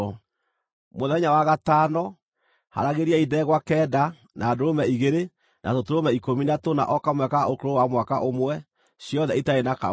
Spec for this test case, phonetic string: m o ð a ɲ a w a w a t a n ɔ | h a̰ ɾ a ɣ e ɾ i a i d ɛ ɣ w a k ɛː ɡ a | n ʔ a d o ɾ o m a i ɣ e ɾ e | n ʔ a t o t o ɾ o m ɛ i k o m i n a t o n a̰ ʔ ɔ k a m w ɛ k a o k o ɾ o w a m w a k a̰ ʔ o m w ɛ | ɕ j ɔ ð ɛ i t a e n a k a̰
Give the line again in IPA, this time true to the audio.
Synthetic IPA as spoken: m o ð ɛ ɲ a w a ɣ a t a n ɔ | h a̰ ɾ a ɣ e ɾ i a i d ɛ ɣ w a k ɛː d a | n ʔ a d o ɾ o m ɛ i ɣ e ɾ e | n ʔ a t o t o ɾ o m ɛ i k o m i n a t o n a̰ ʔ ɔ k a m w ɛ k a o k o ɾ o w a m w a k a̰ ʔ o m w ɛ | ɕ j ɔ ð ɛ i t a e n a k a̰